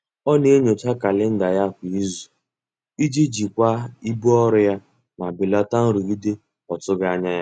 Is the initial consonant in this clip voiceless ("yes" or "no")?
no